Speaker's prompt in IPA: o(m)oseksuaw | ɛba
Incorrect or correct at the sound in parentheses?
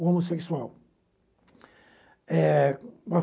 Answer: correct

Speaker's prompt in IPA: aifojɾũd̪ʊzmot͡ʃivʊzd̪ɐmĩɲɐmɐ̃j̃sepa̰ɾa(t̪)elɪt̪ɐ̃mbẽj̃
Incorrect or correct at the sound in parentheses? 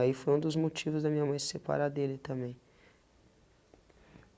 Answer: incorrect: d̪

